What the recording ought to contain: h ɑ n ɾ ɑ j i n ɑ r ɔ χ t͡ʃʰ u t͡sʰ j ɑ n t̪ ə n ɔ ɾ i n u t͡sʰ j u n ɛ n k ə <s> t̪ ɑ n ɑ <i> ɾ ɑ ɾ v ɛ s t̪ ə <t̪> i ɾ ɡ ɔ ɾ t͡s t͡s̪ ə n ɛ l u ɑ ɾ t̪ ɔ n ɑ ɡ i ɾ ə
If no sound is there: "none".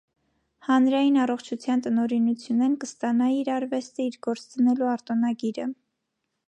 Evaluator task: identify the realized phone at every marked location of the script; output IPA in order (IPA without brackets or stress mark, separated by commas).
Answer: s, i, none